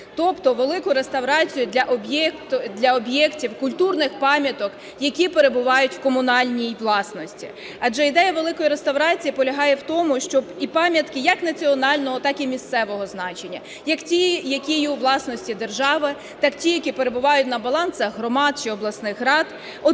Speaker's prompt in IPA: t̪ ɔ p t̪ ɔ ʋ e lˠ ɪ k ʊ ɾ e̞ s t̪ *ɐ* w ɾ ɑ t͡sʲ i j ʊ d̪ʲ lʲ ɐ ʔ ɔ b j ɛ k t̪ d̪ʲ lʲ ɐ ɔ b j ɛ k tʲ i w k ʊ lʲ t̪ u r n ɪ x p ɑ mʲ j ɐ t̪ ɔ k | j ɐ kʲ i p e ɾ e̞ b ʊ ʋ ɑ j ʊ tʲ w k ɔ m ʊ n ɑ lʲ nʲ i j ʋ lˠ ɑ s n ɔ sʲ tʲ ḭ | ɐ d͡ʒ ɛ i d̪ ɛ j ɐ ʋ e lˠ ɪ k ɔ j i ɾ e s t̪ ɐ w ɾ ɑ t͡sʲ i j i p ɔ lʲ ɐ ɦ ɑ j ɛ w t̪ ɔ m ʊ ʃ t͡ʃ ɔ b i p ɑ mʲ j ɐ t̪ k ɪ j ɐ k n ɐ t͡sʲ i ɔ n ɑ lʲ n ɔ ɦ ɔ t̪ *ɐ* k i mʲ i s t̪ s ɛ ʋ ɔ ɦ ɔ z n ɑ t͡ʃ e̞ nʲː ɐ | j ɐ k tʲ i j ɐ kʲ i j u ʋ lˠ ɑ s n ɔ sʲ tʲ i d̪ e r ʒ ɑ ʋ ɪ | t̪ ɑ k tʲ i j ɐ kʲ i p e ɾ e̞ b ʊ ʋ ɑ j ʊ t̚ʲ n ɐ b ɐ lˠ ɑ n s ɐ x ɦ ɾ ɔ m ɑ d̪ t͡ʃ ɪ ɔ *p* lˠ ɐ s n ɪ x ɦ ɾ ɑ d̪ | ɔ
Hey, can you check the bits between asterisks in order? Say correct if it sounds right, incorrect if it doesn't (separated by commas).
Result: correct, incorrect, incorrect